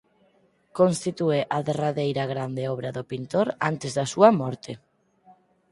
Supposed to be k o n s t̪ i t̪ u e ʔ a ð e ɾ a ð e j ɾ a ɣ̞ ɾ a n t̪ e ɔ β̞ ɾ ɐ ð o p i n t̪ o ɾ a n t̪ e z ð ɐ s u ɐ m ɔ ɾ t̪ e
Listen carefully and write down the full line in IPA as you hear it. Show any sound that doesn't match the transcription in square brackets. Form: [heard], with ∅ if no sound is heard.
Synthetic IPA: k o n s t̪ i t̪ u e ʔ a ð e [r] a ð e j ɾ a ɣ̞ ɾ a n [d̪] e ɔ β̞ ɾ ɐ ð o p i n t̪ o ɾ a n t̪ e z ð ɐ s u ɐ m ɔ ɾ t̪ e